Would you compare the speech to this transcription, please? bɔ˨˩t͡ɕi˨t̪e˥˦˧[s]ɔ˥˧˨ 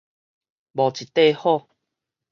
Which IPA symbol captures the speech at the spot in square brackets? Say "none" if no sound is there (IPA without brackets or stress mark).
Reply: h